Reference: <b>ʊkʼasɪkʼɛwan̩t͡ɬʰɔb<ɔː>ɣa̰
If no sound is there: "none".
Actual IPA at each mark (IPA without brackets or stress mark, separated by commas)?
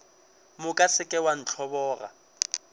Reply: m, ɔː